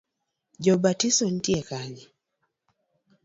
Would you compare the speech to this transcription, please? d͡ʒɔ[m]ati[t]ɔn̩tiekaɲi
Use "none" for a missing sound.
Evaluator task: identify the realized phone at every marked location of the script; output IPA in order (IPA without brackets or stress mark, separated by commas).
b, s